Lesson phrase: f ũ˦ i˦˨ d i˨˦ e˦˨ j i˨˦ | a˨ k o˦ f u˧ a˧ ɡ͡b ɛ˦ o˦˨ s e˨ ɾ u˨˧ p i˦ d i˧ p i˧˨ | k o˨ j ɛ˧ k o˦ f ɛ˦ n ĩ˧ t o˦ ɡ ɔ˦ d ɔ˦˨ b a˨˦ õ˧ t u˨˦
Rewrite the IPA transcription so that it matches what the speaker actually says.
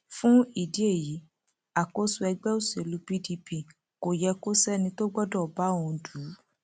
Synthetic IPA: f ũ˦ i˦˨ d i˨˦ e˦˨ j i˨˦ | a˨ k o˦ s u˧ ɛ˧ ɡ͡b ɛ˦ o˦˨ s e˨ l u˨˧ p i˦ d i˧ p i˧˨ | k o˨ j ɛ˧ k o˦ s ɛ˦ n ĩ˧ t o˦ ɡ͡b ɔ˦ d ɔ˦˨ b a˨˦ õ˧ d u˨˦